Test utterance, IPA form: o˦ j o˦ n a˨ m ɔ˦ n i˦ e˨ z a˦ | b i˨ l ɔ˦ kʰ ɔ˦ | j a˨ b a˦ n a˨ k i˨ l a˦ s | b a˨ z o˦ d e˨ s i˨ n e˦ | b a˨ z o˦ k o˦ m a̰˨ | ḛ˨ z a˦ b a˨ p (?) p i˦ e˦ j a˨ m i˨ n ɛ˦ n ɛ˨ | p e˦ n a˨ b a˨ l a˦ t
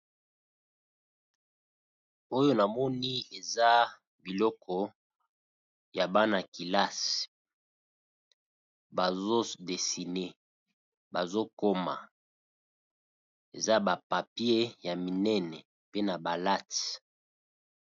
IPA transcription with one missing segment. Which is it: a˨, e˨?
a˨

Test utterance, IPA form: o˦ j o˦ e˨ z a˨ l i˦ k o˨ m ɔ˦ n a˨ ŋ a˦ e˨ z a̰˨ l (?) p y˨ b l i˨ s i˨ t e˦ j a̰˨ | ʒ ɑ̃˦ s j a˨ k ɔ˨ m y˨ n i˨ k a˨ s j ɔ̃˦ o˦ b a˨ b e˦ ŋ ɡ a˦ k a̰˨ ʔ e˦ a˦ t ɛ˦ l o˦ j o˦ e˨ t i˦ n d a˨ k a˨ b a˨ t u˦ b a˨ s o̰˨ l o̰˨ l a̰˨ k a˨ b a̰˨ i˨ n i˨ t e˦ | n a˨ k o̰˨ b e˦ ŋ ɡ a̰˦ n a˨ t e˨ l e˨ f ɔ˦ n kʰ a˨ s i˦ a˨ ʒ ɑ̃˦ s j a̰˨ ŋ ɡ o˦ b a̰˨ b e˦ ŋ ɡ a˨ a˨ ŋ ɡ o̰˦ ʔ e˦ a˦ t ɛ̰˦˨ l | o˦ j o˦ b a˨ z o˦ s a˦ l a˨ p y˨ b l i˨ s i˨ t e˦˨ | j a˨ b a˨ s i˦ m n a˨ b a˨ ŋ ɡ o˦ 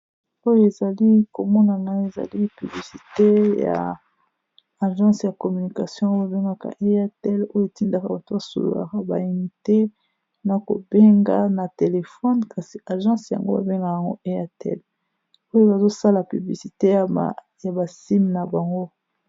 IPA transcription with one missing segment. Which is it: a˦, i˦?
i˦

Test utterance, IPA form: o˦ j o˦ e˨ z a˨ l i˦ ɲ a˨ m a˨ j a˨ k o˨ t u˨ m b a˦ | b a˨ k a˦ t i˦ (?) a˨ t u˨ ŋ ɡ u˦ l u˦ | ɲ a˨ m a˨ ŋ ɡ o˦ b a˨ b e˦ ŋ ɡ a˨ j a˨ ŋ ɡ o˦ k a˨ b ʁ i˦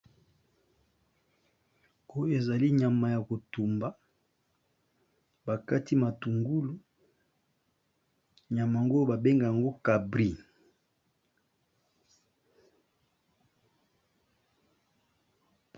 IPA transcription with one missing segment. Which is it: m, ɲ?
m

